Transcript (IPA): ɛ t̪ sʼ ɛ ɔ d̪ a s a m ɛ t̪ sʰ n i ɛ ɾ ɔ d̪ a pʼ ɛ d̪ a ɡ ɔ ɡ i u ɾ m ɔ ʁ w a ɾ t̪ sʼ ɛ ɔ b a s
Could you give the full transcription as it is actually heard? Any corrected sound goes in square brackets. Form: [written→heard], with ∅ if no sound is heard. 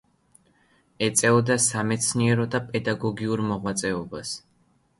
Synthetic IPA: ɛ t̪ sʼ ɛ ɔ d̪ a s a m ɛ t̪ sʰ n i ɛ ɾ ɔ d̪ a pʼ ɛ d̪ a ɡ ɔ ɡ i u ɾ m ɔ ʁ w a [ɾ→∅] t̪ sʼ ɛ ɔ b a s